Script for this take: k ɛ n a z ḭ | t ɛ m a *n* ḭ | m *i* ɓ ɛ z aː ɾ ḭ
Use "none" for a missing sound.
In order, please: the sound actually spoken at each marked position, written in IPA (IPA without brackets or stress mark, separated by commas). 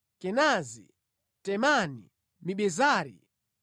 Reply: n, i